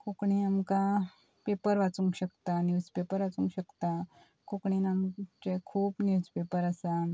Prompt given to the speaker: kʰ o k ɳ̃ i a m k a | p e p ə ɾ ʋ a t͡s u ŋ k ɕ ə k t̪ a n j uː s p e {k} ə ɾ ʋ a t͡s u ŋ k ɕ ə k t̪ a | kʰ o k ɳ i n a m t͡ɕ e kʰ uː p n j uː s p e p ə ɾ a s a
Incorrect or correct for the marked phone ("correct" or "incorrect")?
incorrect